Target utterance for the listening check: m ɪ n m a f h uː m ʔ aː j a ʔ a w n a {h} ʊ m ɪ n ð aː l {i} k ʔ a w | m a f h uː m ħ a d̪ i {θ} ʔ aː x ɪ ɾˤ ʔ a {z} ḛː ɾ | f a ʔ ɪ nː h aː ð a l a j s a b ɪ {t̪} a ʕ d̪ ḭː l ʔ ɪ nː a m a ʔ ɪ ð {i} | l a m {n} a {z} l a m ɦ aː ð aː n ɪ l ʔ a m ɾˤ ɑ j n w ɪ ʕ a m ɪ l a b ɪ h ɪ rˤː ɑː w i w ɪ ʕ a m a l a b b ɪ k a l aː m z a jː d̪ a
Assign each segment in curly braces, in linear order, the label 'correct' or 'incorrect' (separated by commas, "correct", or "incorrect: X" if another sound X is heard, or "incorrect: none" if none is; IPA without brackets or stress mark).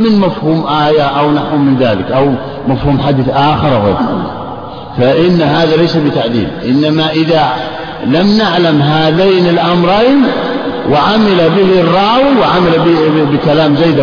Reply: incorrect: ħ, incorrect: ɪ, correct, incorrect: ɣ, correct, incorrect: a, correct, incorrect: ʕ